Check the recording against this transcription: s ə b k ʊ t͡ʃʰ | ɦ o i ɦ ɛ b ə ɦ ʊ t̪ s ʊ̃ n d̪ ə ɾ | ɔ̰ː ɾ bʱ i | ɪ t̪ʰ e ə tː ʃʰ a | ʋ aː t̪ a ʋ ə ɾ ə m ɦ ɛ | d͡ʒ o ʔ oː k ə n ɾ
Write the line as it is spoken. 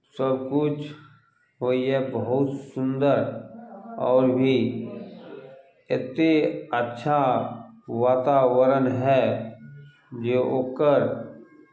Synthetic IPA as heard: s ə b k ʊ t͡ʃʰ | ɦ o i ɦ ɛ b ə ɦ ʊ t̪ s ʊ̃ n d̪ ə ɾ | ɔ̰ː ɾ bʱ i | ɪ t̪ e ə tː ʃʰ a | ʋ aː t̪ a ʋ ə ɾ ə n ɦ ɛ | d͡ʒ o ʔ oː k ə ɾ